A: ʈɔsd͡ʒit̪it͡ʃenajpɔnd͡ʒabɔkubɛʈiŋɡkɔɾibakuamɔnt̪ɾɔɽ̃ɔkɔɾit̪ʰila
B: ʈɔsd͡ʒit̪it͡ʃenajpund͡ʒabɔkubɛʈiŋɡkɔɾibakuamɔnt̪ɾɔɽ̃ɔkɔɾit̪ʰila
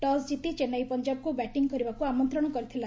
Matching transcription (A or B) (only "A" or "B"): A